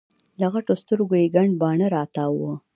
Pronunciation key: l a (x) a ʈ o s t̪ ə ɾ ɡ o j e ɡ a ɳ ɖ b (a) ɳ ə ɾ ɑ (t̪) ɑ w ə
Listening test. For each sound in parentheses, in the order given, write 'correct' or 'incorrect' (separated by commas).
incorrect, incorrect, correct